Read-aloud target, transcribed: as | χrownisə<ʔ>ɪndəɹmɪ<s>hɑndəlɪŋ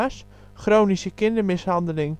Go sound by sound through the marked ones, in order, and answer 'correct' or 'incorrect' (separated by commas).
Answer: incorrect, correct